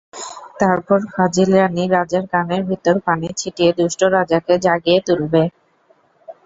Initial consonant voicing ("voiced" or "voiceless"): voiceless